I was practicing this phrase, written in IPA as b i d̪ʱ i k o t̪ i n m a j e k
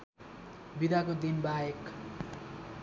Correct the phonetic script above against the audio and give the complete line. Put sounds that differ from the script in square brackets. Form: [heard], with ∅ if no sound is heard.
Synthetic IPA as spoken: b i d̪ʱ [a] k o [d̪] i n [b] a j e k